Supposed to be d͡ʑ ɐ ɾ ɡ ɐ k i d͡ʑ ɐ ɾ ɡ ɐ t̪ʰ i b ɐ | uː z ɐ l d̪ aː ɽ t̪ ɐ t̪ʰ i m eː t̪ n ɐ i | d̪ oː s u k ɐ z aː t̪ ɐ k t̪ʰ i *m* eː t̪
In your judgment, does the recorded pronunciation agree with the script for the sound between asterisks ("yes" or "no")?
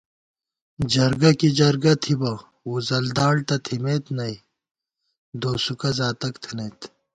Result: no